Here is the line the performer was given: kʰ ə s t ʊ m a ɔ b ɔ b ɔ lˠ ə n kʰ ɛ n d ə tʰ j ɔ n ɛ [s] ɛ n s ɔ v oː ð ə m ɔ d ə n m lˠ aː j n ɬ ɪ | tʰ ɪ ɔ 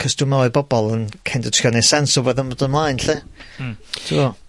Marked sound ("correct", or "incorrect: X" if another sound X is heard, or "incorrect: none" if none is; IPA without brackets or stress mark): correct